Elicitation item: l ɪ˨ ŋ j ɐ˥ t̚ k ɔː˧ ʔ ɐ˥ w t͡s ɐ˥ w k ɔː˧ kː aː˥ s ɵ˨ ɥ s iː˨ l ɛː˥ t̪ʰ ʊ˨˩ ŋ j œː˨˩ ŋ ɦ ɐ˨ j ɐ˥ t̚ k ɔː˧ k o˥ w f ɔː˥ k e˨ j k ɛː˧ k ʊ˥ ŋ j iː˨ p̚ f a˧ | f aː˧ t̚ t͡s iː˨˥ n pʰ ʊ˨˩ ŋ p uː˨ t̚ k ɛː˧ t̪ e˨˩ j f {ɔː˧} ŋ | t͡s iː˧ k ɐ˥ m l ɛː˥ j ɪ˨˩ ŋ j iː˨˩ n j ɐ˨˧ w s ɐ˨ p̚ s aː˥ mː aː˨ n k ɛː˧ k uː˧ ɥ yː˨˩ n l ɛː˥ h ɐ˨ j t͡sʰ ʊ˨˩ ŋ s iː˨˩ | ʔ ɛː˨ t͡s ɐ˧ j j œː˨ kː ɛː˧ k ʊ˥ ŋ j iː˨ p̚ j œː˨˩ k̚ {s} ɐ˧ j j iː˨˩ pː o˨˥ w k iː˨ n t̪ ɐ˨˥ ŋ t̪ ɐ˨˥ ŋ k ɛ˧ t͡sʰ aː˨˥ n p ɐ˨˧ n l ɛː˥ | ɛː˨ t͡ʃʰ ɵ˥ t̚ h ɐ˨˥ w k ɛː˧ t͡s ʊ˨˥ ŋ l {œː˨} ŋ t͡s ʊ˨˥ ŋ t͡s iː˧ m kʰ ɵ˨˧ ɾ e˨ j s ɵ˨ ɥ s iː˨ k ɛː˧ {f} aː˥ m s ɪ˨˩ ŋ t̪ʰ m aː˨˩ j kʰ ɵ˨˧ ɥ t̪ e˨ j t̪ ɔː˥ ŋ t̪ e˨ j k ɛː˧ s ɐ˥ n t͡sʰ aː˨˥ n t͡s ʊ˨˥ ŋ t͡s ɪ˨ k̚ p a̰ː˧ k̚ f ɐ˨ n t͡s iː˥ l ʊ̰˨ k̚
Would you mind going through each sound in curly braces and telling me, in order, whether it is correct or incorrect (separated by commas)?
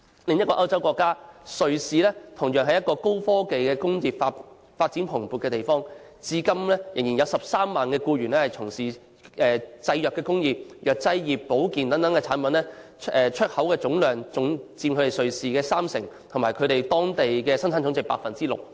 incorrect, incorrect, correct, incorrect